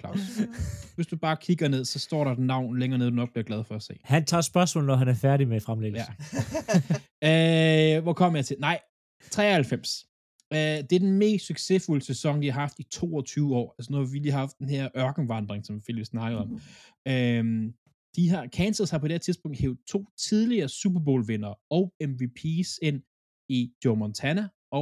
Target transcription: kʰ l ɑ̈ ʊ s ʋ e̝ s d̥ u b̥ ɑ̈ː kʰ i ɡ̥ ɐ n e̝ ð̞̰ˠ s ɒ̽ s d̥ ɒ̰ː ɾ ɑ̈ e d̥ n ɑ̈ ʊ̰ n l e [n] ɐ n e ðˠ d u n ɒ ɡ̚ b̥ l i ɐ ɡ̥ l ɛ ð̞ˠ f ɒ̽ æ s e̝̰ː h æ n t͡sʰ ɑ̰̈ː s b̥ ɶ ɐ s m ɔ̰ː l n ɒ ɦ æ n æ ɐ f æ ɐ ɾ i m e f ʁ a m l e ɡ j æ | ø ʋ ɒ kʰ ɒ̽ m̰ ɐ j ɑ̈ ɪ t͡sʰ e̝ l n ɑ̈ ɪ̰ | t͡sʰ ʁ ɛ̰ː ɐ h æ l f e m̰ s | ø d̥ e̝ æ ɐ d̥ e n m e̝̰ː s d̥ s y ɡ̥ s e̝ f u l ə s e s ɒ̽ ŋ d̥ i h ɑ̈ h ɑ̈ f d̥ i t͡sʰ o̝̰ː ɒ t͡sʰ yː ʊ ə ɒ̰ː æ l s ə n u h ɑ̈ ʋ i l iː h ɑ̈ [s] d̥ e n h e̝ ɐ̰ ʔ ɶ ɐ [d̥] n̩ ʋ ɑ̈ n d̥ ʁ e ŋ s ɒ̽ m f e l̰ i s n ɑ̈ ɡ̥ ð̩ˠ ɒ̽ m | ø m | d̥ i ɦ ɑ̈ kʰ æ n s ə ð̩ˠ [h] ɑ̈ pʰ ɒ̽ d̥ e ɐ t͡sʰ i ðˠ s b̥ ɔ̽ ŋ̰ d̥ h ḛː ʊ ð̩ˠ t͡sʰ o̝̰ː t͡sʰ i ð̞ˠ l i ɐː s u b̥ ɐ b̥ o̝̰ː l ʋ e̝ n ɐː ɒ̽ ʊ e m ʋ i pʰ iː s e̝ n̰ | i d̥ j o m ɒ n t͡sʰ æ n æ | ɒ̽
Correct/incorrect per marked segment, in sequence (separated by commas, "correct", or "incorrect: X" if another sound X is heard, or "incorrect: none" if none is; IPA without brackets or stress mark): incorrect: ŋ, incorrect: f, incorrect: ɡ̥, correct